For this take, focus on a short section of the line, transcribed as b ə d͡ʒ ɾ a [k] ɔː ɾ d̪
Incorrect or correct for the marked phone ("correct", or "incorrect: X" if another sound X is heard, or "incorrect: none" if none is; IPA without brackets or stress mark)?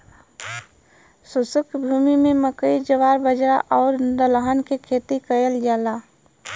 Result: incorrect: ʔ